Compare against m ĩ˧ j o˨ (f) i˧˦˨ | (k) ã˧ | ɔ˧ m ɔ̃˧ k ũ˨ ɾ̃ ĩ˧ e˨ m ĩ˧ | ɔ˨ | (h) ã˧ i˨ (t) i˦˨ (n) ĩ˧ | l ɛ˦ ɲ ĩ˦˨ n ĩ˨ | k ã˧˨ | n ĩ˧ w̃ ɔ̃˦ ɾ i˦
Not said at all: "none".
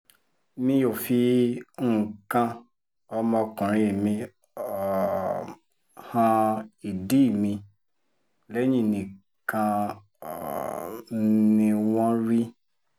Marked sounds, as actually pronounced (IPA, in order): f, k, h, d, m

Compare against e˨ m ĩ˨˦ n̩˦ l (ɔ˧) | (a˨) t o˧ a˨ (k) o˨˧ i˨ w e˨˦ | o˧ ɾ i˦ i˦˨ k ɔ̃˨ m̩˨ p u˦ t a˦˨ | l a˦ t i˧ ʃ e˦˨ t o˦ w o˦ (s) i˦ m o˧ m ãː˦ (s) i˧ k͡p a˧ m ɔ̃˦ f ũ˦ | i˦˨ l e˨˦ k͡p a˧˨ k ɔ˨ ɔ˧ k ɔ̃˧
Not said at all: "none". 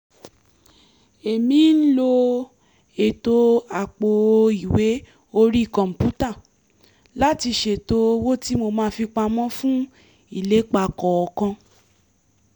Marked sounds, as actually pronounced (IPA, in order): o˧, e˨, k͡p, t, f

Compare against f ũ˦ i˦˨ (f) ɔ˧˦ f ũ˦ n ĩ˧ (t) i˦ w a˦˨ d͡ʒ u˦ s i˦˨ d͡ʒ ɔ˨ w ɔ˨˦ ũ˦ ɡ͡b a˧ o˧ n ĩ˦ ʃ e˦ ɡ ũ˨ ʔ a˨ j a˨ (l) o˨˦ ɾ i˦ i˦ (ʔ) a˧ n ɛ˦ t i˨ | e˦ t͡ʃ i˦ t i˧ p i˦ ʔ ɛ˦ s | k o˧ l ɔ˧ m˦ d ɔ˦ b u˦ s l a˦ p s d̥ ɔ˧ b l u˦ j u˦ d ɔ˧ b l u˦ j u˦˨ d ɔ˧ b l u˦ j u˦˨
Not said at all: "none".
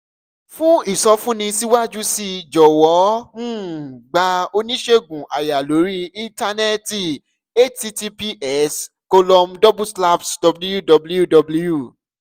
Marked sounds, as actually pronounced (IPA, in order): s, s, l, t

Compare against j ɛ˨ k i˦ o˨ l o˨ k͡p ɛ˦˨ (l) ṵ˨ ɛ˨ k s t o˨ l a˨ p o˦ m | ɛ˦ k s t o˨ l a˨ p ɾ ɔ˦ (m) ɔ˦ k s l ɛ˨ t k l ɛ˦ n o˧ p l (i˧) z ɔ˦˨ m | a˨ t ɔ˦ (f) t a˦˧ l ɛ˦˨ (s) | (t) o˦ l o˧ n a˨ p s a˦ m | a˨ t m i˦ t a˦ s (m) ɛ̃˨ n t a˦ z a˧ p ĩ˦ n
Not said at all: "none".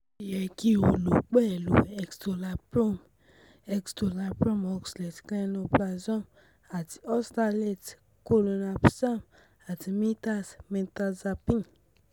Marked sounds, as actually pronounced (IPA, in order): l, m, a˧, s, t, k, m

